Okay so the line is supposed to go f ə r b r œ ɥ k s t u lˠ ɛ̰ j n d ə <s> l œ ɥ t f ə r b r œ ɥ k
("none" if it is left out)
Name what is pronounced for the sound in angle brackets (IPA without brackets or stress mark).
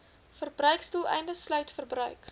s